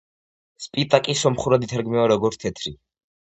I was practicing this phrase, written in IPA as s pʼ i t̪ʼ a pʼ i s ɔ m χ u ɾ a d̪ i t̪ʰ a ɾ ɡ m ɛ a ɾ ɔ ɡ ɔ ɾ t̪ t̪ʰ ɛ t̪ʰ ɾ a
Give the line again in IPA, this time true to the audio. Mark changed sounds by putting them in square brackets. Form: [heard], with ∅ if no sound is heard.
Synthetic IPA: s pʼ i t̪ʼ a [kʼ] i s ɔ m χ u ɾ a d̪ i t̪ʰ a ɾ ɡ m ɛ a ɾ ɔ ɡ ɔ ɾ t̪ t̪ʰ ɛ t̪ʰ ɾ [i]